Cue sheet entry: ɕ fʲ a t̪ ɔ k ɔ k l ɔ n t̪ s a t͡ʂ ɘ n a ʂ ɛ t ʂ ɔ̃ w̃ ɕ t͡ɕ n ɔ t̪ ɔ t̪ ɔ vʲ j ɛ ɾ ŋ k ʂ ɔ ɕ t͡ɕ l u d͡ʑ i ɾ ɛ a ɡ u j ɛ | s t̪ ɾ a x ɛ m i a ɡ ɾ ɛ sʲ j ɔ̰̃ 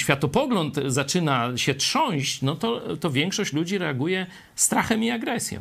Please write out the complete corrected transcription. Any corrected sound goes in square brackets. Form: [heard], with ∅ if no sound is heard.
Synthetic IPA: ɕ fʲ a t̪ ɔ [p] ɔ [ɡ] l ɔ n t̪ [z] a t͡ʂ ɘ n a [ɕ] ɛ t ʂ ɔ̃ w̃ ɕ t͡ɕ n ɔ t̪ ɔ t̪ ɔ vʲ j ɛ [∅] ŋ k ʂ ɔ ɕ t͡ɕ l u d͡ʑ i ɾ ɛ a ɡ u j ɛ | s t̪ ɾ a x ɛ m i a ɡ ɾ ɛ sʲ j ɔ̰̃